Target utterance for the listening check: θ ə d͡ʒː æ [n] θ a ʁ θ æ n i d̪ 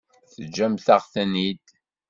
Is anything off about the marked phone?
yes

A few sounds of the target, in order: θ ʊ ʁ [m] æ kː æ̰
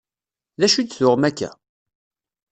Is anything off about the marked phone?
no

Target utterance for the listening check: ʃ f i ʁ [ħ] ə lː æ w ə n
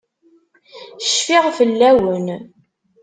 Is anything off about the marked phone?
yes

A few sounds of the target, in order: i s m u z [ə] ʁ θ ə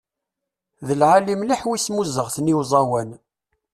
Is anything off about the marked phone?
no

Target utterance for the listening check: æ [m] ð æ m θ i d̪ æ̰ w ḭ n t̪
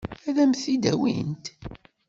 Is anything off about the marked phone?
yes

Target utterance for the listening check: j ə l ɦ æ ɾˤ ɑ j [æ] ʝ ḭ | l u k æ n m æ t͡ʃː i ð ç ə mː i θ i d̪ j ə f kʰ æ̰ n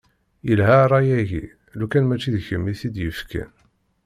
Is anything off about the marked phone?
no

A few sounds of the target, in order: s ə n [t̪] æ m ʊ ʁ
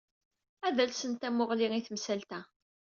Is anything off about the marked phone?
no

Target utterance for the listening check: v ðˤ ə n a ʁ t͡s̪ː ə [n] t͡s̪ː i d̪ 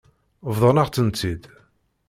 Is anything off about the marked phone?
no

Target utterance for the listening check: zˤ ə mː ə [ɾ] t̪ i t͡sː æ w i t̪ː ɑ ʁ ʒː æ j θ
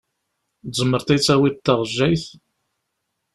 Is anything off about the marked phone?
no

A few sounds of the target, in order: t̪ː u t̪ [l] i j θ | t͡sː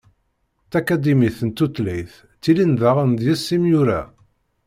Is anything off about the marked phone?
no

